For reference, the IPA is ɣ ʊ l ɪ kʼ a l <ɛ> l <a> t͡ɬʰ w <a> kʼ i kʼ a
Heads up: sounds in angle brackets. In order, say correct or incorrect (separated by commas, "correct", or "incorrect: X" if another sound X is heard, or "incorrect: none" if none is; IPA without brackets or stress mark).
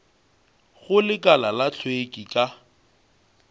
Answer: incorrect: a, correct, incorrect: e